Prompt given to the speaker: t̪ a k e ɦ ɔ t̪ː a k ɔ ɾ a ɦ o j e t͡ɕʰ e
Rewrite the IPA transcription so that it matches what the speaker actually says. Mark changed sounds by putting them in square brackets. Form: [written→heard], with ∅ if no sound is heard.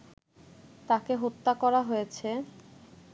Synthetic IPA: t̪ a k e ɦ [ɔ→o] t̪ː a k ɔ ɾ a ɦ o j e t͡ɕʰ e